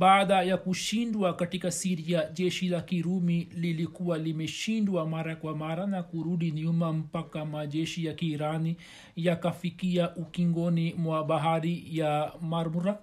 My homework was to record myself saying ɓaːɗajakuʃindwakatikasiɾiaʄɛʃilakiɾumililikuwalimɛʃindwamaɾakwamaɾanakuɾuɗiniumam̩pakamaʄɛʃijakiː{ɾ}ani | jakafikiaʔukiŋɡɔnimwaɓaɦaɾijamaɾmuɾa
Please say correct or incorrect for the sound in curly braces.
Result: correct